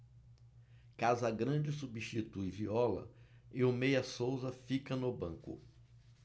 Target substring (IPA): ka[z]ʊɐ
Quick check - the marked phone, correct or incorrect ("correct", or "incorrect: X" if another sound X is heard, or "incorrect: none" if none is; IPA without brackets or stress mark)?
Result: correct